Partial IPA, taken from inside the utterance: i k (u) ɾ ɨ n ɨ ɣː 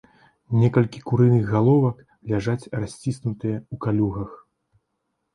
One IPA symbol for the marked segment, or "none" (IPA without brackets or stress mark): u